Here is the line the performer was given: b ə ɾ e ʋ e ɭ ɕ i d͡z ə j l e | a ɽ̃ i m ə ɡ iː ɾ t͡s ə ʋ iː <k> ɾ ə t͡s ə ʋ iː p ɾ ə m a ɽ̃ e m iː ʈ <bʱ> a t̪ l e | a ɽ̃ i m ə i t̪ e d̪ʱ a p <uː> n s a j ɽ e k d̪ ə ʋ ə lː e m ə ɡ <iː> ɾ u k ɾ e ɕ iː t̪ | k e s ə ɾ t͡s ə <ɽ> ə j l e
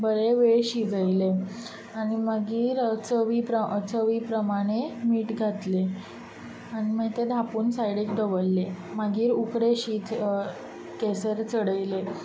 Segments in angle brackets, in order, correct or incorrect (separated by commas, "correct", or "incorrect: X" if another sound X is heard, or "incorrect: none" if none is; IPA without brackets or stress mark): incorrect: p, incorrect: ɡʱ, correct, correct, correct